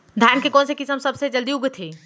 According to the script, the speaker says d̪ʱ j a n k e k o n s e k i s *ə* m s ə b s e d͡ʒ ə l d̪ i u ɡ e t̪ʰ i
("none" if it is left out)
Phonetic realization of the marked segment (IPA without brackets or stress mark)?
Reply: ə